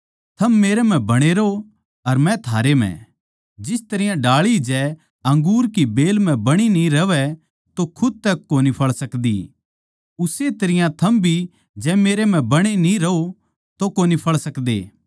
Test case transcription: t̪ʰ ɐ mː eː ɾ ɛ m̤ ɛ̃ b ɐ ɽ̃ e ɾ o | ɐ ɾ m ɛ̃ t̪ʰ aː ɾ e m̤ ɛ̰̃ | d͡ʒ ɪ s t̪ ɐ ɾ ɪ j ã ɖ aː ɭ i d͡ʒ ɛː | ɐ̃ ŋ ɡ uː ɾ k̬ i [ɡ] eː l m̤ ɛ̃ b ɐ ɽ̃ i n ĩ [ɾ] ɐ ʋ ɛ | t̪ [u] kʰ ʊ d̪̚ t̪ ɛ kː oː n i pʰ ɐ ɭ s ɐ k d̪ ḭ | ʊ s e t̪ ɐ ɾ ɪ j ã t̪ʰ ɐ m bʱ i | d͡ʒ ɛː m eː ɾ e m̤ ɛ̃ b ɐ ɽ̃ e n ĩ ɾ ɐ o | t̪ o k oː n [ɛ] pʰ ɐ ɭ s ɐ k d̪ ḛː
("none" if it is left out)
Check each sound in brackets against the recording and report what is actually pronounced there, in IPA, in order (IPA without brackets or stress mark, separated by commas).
b, ɾ, o, i